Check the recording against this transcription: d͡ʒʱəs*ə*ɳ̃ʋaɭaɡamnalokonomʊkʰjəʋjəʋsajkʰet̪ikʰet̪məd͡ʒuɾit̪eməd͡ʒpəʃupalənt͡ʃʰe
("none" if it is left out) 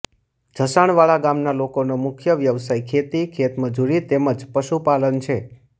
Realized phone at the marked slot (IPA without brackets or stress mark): a